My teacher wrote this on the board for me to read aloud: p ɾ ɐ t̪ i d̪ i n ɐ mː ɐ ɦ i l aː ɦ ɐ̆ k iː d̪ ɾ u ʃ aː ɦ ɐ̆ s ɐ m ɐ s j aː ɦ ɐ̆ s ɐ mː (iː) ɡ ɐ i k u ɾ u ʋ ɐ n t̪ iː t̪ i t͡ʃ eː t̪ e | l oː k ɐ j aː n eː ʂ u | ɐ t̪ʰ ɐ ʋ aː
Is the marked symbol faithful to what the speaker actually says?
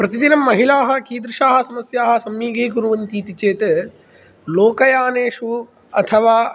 yes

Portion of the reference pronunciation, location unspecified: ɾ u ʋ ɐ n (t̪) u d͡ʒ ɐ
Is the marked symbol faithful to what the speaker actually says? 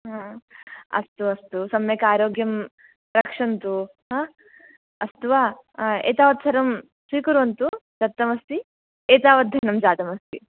yes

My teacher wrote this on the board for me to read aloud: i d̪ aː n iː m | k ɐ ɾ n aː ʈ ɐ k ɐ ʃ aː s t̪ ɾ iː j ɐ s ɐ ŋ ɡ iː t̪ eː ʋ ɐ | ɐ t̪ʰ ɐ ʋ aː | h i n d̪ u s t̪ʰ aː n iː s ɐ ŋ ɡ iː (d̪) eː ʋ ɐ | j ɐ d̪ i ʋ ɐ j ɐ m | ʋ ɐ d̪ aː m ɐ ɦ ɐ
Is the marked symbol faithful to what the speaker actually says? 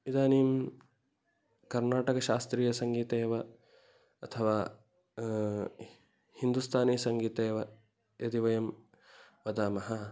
no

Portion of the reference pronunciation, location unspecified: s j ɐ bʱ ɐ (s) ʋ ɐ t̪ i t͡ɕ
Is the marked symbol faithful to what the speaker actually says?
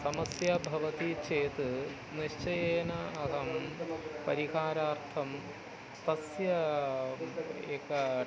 no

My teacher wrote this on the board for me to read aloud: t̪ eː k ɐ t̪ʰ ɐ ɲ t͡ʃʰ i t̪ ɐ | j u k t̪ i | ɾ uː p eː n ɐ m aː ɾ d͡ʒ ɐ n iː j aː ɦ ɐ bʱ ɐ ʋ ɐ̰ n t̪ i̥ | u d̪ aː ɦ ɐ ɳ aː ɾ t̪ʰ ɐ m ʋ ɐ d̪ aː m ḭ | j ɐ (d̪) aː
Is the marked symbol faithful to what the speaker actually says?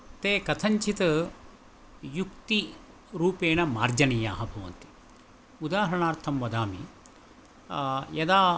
yes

